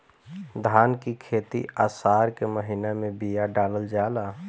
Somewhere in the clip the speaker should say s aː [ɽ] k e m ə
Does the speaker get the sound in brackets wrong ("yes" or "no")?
yes